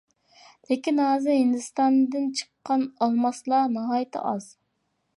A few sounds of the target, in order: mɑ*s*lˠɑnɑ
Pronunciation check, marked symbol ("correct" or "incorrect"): correct